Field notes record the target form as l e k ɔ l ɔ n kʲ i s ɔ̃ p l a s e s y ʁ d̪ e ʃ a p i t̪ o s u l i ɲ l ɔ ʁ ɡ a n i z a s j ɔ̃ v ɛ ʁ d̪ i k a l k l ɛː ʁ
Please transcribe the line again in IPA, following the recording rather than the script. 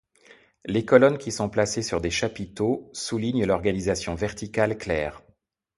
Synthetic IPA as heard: l e k ɔ l ɔ n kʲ i s ɔ̃ p l a s e s y ʁ d̪ e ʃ a p i t̪ o s u l i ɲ l ɔ ʁ ɡ a n i z a s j ɔ̃ v ɛ ʁ t̪ i k a l k l ɛː ʁ